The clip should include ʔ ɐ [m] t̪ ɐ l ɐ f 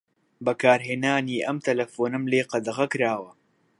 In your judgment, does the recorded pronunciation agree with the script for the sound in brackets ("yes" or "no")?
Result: yes